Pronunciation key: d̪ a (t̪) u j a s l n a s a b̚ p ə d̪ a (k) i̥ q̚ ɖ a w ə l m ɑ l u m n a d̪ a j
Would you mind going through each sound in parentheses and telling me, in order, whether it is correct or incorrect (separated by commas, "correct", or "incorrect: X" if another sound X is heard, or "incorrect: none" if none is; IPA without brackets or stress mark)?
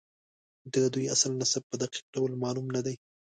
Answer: incorrect: d̪, incorrect: q